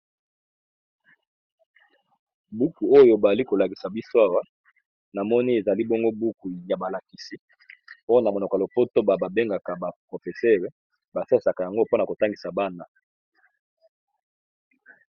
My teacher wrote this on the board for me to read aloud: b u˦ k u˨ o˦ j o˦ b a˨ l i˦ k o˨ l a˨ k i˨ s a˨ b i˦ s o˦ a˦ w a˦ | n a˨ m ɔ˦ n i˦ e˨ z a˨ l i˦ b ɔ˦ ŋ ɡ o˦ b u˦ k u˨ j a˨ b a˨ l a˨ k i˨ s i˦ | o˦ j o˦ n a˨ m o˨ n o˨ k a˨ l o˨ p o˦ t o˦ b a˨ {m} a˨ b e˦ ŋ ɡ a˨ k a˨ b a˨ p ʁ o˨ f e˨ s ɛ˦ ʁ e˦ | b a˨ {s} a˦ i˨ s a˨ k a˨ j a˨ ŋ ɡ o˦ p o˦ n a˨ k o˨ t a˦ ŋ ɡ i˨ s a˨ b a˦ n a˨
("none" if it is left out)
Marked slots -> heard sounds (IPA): b, s

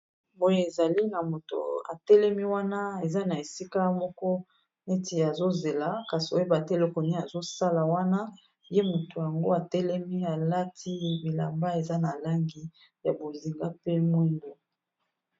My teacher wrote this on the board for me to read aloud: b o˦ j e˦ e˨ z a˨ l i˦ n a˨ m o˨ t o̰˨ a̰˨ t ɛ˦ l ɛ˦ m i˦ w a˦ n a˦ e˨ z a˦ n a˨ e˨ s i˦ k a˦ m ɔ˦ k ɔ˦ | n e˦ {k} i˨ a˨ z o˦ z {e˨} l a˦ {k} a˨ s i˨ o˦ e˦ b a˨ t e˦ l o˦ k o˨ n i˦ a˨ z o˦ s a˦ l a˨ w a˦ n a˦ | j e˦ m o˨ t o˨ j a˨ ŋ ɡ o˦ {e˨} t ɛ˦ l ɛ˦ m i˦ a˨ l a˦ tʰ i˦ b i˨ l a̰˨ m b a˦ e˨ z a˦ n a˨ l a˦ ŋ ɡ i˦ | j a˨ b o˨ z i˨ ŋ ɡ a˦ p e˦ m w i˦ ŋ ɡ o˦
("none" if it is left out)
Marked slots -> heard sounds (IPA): t, e˨, k, a˨

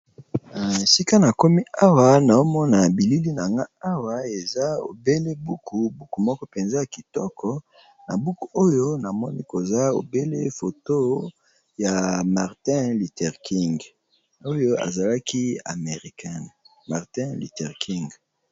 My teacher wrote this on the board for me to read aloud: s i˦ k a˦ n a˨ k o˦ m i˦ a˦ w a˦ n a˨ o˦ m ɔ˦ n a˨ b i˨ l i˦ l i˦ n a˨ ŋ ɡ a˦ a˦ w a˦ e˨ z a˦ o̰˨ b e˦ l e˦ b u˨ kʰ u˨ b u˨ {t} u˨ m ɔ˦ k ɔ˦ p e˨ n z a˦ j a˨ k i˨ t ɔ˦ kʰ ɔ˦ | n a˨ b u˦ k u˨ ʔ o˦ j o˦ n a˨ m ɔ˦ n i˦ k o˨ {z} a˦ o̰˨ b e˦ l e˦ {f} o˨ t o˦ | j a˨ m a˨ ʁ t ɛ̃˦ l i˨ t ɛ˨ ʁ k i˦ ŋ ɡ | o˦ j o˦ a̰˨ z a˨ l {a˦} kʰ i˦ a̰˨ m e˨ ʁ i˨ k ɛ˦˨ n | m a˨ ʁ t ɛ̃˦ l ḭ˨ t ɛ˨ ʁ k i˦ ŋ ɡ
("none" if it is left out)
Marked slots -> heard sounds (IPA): k, z, f, a˦

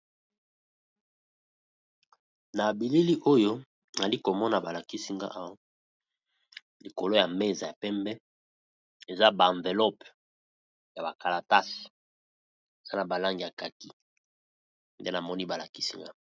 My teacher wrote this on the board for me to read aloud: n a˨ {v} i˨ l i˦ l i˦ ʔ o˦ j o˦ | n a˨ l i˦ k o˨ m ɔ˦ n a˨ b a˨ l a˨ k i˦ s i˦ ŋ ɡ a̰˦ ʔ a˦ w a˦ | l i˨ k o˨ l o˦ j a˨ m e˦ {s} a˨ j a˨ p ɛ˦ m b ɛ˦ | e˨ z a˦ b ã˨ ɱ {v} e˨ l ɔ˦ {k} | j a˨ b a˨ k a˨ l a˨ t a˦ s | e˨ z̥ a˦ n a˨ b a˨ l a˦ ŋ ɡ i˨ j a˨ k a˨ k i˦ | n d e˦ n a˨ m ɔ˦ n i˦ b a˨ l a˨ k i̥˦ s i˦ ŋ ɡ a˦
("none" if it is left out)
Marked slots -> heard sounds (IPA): b, z, v, p

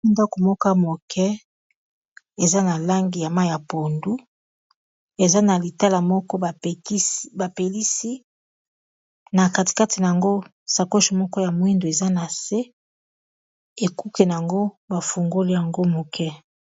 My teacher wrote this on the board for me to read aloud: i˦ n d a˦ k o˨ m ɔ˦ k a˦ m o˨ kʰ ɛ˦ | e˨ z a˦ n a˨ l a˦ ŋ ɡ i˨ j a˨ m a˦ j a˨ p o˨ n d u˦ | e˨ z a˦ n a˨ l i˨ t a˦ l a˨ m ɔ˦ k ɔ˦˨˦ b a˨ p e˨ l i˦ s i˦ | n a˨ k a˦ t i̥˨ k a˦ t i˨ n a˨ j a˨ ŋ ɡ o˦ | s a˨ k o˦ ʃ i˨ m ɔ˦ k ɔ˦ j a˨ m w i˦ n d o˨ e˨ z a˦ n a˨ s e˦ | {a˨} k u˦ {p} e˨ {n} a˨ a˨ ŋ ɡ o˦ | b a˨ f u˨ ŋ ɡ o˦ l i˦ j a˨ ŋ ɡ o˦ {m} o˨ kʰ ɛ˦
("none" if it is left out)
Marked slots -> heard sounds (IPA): e˨, k, n, m

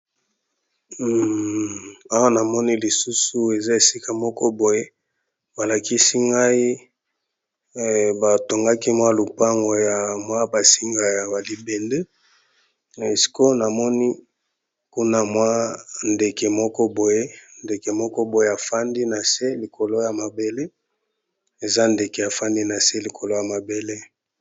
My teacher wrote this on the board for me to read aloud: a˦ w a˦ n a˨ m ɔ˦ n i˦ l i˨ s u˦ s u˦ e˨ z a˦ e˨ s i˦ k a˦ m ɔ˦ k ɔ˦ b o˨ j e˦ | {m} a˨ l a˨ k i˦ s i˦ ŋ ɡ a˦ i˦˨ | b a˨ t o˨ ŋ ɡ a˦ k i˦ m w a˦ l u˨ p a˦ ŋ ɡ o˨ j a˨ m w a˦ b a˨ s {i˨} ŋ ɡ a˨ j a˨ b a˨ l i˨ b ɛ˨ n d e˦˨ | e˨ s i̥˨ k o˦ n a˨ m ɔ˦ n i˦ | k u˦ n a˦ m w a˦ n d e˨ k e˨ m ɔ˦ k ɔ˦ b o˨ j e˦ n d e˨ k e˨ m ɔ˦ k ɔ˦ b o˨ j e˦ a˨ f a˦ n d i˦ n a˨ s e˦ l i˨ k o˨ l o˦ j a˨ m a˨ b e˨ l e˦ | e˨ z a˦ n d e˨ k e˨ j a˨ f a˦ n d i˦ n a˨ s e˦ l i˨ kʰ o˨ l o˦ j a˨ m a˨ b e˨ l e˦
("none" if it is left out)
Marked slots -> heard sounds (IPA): b, i˦

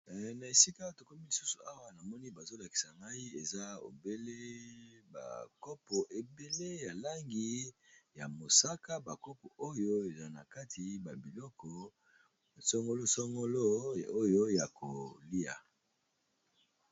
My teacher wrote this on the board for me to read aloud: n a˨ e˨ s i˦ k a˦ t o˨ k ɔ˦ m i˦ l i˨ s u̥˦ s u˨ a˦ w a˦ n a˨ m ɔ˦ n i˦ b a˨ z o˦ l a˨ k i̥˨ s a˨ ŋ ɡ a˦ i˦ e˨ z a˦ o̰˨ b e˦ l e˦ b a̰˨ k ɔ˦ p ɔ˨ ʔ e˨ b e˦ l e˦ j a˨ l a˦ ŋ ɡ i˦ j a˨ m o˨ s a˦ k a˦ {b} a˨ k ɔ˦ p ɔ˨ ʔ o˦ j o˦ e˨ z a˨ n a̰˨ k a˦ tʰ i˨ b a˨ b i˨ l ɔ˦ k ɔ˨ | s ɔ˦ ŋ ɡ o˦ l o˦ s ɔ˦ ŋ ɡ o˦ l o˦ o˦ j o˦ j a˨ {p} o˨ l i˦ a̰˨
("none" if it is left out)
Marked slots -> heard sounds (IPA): b, k

